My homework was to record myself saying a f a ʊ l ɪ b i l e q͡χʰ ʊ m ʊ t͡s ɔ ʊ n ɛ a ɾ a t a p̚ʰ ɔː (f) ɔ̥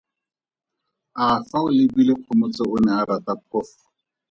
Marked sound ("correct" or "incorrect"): correct